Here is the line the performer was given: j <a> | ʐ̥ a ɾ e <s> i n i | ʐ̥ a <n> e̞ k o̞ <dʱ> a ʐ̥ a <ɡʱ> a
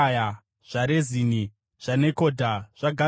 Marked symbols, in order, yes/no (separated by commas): yes, no, yes, yes, yes